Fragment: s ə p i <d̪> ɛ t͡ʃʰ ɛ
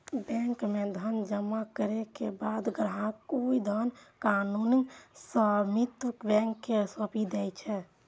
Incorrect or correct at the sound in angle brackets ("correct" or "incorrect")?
correct